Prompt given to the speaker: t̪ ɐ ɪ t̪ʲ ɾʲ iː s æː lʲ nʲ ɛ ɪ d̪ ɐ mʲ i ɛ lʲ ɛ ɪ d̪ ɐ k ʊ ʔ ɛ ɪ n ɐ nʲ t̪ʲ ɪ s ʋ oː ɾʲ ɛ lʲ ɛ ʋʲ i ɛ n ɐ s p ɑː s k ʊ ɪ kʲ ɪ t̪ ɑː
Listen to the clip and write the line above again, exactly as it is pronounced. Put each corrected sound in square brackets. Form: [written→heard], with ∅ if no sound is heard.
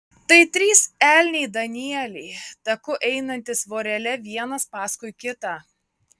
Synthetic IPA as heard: t̪ ɐ ɪ t̪ʲ ɾʲ iː s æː lʲ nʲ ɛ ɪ d̪ ɐ [mʲ→nʲ] i ɛ lʲ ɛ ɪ [d̪→t̪] ɐ k ʊ ʔ ɛ ɪ n ɐ nʲ t̪ʲ ɪ s ʋ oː ɾʲ ɛ lʲ ɛ ʋʲ i ɛ n ɐ s p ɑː s k ʊ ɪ kʲ ɪ t̪ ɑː

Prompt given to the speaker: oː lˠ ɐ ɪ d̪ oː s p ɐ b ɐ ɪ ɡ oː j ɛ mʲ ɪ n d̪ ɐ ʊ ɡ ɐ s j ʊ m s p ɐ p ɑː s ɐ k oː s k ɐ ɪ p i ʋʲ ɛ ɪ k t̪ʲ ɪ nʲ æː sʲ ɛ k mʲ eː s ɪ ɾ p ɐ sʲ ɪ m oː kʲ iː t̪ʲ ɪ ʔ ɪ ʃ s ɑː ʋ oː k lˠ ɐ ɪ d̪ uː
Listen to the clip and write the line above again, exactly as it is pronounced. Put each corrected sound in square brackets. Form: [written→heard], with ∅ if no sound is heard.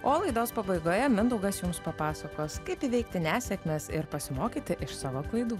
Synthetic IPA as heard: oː lˠ ɐ ɪ d̪ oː s p ɐ b ɐ ɪ ɡ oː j ɛ mʲ ɪ n d̪ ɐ ʊ ɡ ɐ s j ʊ m s p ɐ p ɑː s ɐ k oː s k ɐ ɪ p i ʋʲ ɛ ɪ k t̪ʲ ɪ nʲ æː sʲ ɛ k mʲ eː s ɪ ɾ p ɐ sʲ ɪ m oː kʲ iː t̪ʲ ɪ ʔ ɪ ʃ s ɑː ʋ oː k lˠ ɐ ɪ d̪ uː

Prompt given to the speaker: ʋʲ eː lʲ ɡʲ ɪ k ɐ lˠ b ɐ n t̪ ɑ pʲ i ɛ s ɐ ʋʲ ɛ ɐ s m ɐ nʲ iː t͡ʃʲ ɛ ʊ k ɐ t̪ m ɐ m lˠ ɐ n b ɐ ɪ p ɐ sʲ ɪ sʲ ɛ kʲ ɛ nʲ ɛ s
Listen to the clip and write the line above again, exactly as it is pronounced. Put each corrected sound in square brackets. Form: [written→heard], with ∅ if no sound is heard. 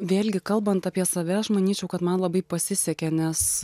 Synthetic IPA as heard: ʋʲ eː lʲ ɡʲ ɪ k ɐ lˠ b ɐ n t̪ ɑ pʲ i ɛ s ɐ ʋʲ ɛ ɐ [s→ʃ] m ɐ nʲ iː t͡ʃʲ ɛ ʊ k ɐ t̪ m ɐ [m→n] lˠ ɐ [n→∅] b ɐ ɪ p ɐ sʲ ɪ sʲ ɛ kʲ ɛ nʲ ɛ s

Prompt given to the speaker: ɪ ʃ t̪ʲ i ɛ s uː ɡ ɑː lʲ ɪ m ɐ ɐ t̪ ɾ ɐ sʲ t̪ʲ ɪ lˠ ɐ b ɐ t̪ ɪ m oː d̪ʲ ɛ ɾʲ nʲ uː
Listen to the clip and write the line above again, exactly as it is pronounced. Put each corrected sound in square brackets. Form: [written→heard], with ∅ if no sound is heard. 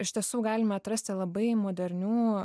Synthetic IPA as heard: ɪ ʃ t̪ʲ i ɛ s uː ɡ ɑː lʲ ɪ m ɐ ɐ t̪ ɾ ɐ sʲ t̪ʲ ɪ lˠ ɐ b ɐ [t̪→∅] ɪ m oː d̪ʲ ɛ ɾʲ nʲ uː

